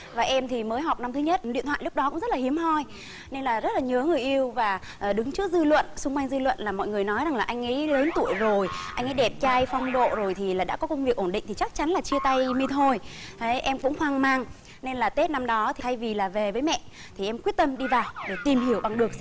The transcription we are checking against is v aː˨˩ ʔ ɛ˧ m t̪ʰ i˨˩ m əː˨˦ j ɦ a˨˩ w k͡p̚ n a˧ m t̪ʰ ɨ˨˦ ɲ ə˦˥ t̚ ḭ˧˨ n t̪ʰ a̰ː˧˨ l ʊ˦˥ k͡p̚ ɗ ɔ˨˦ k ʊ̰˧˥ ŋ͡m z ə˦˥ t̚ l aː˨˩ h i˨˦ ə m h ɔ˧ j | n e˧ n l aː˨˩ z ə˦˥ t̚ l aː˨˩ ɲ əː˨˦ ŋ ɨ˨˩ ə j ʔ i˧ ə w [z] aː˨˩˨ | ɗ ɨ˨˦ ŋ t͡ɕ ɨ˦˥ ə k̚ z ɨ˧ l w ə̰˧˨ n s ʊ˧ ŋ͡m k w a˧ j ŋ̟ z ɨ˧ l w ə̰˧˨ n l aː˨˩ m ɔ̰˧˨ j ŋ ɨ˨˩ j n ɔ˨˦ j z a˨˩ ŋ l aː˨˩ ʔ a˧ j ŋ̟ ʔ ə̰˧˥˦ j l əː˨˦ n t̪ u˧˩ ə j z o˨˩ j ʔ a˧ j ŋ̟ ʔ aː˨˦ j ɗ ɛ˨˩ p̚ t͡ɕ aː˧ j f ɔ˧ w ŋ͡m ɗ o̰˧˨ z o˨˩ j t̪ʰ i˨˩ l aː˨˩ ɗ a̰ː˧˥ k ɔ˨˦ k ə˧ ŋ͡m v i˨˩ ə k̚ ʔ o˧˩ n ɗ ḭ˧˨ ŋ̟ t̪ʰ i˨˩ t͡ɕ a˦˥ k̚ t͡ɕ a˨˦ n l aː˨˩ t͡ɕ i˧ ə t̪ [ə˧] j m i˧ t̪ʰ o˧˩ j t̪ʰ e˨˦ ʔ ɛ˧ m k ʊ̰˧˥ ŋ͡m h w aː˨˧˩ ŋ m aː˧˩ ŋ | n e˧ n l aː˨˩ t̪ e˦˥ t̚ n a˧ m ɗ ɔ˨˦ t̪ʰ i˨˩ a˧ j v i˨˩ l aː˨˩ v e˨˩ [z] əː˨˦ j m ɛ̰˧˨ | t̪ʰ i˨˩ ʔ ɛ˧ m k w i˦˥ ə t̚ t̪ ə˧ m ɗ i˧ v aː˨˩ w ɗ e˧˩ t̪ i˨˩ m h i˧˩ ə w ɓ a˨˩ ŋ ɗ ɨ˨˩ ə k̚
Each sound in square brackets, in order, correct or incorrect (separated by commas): incorrect, incorrect, incorrect